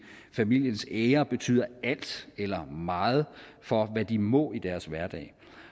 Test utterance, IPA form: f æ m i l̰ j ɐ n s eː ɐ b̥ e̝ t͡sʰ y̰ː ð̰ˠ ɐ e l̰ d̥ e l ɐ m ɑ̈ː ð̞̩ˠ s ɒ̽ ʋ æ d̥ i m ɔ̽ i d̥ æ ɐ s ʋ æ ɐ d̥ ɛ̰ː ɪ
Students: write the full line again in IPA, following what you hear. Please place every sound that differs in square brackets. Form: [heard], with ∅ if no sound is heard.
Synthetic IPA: f æ m i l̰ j [ə] n s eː ɐ b̥ e̝ t͡sʰ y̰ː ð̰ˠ ɐ [æ] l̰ d̥ e l ɐ m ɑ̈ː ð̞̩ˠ [f] ɒ̽ ʋ æ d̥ i m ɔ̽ i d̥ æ ɐ s ʋ æ ɐ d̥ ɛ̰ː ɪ